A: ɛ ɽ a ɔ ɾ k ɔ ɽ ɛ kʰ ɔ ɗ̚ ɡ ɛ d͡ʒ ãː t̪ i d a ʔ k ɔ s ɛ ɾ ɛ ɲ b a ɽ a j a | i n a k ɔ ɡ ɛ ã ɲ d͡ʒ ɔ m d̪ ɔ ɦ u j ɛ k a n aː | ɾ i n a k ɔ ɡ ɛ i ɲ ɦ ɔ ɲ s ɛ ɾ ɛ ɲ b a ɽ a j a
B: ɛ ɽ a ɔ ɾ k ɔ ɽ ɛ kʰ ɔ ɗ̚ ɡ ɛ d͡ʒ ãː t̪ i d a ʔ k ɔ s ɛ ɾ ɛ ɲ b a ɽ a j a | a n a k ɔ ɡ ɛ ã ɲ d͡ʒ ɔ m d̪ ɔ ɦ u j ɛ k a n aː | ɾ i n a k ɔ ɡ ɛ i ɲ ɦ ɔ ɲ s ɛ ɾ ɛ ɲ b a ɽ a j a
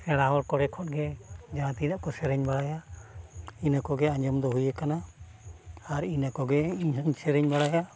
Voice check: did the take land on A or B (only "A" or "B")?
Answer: A